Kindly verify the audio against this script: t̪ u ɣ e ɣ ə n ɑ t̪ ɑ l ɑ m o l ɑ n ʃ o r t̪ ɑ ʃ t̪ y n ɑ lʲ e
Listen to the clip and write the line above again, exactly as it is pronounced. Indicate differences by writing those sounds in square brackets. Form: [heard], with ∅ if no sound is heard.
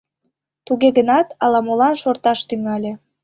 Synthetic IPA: t̪ u ɣ e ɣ ə n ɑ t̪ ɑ l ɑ m o l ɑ n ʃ o r t̪ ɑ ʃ t̪ y [ŋ] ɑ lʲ e